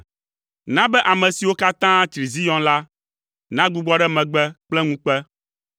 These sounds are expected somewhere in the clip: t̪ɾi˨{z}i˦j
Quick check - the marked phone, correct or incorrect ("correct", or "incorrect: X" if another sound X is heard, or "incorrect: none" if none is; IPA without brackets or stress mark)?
correct